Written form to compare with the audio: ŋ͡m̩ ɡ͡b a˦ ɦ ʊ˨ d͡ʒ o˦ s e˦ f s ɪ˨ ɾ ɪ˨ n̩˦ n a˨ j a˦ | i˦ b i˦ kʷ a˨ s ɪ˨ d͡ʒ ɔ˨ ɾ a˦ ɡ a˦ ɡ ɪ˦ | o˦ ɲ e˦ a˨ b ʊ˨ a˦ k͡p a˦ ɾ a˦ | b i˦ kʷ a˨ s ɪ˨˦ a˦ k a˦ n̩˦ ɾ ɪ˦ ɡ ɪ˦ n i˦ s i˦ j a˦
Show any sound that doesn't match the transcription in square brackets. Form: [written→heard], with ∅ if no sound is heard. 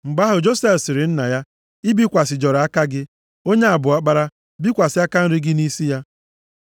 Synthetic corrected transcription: ŋ͡m̩ ɡ͡b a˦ ɦ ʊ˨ d͡ʒ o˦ s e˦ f s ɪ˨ ɾ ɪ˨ n̩˦ n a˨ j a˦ | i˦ b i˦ kʷ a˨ s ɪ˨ d͡ʒ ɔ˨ ɾ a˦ [ɡ→k] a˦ ɡ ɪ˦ | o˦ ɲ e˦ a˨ b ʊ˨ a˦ k͡p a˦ ɾ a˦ | b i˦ kʷ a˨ s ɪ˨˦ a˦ k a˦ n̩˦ ɾ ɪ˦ ɡ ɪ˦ n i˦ s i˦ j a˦

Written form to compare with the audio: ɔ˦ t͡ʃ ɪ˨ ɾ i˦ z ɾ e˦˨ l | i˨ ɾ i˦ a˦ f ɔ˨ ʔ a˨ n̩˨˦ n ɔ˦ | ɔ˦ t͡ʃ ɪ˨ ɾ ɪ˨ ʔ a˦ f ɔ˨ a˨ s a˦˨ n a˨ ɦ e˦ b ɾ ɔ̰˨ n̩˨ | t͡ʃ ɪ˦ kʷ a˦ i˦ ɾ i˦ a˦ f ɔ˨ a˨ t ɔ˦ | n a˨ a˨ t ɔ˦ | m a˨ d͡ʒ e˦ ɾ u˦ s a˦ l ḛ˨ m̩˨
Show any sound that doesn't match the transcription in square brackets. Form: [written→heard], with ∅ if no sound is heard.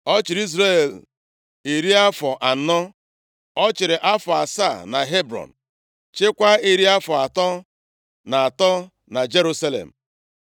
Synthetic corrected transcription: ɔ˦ t͡ʃ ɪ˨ ɾ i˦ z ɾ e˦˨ l | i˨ ɾ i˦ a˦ f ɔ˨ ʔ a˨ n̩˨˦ n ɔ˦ | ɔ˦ t͡ʃ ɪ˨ ɾ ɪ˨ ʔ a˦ f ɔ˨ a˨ s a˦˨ n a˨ ɦ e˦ b ɾ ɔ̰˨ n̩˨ | t͡ʃ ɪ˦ kʷ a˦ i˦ ɾ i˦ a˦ f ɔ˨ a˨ t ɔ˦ | n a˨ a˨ t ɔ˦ | [m→n] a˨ d͡ʒ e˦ ɾ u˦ s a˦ l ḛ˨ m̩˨

